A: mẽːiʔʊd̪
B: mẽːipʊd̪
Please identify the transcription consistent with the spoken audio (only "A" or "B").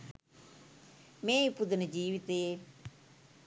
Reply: B